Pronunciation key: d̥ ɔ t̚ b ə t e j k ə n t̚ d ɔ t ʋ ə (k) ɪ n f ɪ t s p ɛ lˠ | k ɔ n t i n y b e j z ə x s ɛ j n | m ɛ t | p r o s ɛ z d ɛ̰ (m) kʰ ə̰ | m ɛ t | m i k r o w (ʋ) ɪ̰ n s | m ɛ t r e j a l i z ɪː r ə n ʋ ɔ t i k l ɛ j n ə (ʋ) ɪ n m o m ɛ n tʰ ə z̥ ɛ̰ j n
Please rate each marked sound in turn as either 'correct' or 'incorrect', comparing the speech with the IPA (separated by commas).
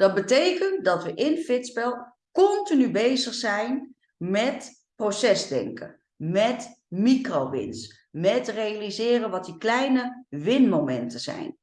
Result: incorrect, incorrect, correct, correct